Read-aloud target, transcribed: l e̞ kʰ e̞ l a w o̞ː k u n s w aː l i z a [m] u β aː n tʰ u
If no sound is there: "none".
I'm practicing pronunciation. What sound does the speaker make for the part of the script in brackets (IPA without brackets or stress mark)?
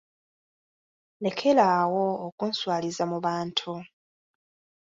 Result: m